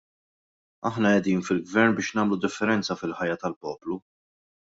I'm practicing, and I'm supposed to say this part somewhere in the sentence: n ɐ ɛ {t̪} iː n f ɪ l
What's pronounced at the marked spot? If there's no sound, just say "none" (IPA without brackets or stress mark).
d̪